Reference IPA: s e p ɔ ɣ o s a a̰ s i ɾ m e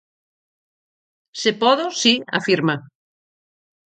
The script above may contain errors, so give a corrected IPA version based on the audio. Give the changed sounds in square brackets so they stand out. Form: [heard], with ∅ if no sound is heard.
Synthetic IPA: s e p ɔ [ð] o s [i] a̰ [f] i ɾ m [a]